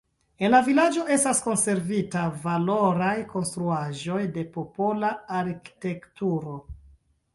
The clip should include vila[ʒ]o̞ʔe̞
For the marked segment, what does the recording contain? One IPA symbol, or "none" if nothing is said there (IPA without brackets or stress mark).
d͡ʒ